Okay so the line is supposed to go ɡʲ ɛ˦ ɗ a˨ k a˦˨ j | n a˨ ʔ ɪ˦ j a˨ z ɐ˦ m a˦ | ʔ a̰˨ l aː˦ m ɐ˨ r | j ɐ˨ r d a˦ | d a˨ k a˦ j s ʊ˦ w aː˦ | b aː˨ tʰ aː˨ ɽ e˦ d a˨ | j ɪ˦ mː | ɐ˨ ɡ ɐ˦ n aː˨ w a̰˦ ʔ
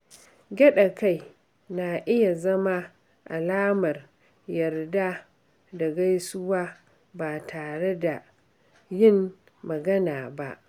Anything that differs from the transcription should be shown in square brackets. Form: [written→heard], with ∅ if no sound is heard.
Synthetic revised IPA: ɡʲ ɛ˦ ɗ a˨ k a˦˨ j | n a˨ ʔ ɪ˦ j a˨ z ɐ˦ m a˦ | ʔ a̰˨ l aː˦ m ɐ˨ r | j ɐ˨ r d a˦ | d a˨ [k→ɡ] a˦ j s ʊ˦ w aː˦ | b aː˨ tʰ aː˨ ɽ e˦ d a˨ | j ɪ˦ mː | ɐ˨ ɡ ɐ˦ n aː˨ [w→b] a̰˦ ʔ